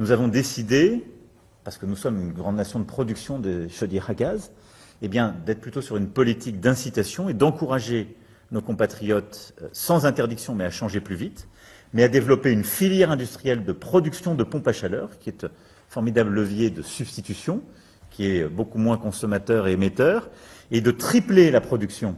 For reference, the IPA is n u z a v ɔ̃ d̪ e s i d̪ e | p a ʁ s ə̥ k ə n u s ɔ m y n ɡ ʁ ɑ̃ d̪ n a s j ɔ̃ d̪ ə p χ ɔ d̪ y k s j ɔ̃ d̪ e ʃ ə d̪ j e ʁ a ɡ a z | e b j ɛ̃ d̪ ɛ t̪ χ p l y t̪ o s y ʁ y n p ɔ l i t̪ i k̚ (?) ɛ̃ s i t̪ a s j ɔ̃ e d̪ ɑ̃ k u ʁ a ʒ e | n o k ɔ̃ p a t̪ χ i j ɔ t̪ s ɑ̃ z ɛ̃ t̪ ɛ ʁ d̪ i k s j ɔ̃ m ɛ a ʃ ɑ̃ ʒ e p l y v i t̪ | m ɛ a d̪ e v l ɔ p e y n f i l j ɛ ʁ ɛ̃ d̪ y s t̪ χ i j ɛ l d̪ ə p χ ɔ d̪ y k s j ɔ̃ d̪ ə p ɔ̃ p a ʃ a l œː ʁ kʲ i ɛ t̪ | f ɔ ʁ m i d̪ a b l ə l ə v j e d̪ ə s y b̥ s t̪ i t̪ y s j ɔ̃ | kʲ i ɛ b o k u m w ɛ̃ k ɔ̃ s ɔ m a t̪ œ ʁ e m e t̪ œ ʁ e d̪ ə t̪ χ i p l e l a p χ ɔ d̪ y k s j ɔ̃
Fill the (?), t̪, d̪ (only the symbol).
d̪